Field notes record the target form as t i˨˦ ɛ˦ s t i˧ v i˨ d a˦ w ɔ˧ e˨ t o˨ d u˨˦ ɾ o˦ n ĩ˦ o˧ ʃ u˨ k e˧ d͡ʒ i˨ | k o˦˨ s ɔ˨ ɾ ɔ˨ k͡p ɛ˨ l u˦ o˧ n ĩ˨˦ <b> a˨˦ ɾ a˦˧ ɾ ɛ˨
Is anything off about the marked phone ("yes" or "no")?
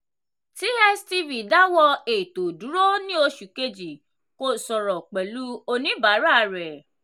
no